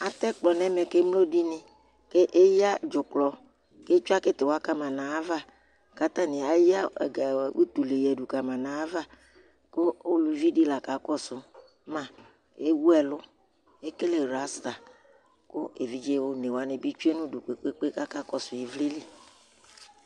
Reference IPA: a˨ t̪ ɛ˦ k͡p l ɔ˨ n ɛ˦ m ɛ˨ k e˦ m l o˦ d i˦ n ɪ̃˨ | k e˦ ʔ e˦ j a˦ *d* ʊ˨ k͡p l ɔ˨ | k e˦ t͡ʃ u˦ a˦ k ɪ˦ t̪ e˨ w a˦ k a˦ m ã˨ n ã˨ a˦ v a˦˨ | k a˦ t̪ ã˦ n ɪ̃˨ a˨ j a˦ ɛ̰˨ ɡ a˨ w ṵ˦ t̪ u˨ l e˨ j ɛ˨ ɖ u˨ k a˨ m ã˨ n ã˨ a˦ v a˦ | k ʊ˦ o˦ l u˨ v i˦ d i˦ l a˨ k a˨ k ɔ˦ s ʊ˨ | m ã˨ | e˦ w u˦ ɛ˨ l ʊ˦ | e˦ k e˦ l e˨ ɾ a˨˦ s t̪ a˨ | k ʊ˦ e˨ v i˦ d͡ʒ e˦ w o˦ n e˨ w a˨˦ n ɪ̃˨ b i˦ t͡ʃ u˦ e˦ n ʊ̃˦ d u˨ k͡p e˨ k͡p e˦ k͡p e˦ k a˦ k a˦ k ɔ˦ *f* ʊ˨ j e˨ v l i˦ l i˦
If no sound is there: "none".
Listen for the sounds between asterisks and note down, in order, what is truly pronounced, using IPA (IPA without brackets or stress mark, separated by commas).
d͡ʒ, s